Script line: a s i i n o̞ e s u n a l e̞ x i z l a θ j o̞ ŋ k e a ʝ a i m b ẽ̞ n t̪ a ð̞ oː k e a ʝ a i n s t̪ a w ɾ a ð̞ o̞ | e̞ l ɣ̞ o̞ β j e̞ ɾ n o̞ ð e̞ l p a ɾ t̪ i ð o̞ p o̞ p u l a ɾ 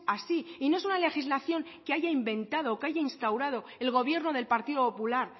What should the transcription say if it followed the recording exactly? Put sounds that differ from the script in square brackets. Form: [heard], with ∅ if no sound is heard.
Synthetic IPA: a s i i n o̞ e s u n a l e̞ x i z l a θ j o̞ ŋ k e a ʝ a i m b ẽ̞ n t̪ a ð̞ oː k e a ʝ a i n s t̪ a w ɾ a ð̞ o̞ | e̞ l ɣ̞ o̞ β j e̞ ɾ n o̞ ð e̞ l p a ɾ t̪ i ð o̞ p o̞ p u l a ɾ